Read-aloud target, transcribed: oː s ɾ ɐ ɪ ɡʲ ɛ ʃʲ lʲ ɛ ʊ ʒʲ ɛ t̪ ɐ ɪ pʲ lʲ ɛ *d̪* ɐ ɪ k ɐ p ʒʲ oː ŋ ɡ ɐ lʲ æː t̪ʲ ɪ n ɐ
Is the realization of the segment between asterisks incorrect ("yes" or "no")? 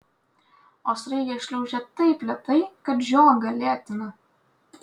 yes